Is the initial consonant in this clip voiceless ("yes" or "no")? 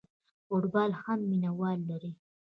yes